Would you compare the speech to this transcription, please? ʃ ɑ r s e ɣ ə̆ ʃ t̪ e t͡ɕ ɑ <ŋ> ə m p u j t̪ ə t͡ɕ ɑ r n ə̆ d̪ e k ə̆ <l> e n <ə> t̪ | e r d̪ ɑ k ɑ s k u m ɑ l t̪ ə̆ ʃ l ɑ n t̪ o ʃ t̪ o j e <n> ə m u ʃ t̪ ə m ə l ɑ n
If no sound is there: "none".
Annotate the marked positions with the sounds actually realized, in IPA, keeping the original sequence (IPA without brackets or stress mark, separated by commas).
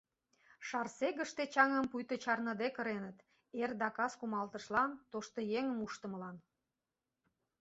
ŋ, ɾ, ə, ŋ